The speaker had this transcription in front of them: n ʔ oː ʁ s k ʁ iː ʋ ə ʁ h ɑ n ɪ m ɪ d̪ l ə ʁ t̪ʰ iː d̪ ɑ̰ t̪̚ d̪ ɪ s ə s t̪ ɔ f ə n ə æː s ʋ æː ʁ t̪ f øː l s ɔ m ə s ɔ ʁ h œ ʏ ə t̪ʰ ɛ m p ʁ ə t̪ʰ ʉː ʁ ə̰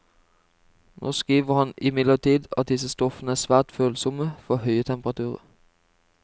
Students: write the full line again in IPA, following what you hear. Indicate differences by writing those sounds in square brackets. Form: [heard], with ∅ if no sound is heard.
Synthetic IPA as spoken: n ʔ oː [∅] s k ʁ iː ʋ ə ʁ h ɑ n ɪ m ɪ d̪ l ə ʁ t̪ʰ iː d̪ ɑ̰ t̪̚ d̪ ɪ s ə s t̪ ɔ f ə n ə æː s ʋ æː ʁ t̪ f øː l s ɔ m ə [f] ɔ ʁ h œ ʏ ə t̪ʰ ɛ m p ʁ [ɑ] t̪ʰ ʉː ʁ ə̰